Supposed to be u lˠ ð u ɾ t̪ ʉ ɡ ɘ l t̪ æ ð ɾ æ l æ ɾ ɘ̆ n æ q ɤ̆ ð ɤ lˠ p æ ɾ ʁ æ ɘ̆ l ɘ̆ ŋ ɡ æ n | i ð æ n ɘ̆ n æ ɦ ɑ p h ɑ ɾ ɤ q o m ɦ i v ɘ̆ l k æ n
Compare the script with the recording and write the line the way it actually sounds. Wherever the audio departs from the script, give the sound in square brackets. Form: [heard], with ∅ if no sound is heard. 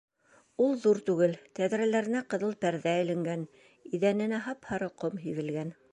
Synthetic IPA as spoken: u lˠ ð u ɾ t̪ ʉ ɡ ɘ l t̪ æ ð ɾ æ l æ ɾ ɘ̆ n æ q ɤ̆ ð ɤ lˠ p æ ɾ [ð] æ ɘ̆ l ɘ̆ ŋ ɡ æ n | i ð æ n ɘ̆ n æ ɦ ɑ p h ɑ ɾ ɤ q o m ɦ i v ɘ̆ l [ɡ] æ n